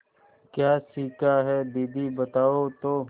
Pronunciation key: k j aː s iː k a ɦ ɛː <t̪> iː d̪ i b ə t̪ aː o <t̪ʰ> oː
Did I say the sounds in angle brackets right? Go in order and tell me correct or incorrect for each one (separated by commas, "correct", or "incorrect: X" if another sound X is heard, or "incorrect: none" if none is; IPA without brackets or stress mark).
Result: incorrect: d̪, incorrect: t̪